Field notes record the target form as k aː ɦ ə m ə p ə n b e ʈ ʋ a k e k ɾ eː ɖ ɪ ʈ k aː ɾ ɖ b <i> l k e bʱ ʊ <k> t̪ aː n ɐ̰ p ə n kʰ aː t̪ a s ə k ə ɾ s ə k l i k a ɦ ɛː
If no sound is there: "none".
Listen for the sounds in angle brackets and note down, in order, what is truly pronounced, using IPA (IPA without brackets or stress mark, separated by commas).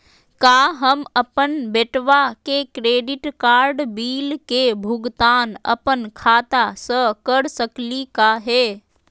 iː, ɡ